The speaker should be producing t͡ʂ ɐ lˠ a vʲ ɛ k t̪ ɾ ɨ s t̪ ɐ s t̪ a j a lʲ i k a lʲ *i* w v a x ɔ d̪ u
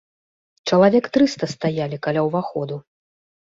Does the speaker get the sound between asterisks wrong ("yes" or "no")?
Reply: yes